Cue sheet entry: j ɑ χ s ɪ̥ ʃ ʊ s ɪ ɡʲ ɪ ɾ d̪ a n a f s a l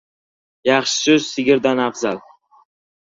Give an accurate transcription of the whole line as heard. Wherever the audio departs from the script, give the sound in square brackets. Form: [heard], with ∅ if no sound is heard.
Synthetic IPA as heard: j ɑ χ [ʃ] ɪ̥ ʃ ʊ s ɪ ɡʲ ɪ ɾ d̪ a n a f [z] a l